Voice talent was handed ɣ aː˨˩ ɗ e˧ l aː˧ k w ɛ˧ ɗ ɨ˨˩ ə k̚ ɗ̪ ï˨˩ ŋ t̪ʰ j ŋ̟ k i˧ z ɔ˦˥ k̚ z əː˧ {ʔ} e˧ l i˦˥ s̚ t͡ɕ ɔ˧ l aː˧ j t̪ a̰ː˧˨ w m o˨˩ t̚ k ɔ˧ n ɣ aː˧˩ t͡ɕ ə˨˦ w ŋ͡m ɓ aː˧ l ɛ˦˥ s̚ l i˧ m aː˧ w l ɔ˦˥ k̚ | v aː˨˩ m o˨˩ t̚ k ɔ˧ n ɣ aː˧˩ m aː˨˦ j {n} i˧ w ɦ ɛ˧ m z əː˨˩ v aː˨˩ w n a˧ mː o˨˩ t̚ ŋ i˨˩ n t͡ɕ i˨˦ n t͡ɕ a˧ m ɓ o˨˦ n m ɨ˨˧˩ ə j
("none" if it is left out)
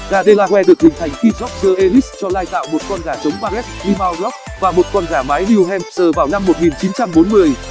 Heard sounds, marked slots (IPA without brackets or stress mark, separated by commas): ʔ, n